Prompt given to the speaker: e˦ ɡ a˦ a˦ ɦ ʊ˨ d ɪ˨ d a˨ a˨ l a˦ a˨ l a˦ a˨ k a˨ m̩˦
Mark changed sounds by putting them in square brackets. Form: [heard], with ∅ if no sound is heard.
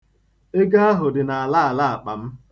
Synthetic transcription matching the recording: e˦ ɡ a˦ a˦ ɦ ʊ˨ d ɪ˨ [n] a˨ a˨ l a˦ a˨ l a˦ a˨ [k͡p] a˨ m̩˦